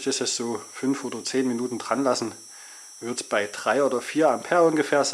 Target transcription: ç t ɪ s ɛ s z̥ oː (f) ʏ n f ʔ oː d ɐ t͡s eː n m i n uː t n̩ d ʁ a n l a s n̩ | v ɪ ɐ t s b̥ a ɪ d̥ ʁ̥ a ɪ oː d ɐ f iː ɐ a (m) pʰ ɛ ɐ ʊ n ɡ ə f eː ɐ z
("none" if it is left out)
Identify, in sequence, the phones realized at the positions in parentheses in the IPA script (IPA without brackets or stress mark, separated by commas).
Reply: f, m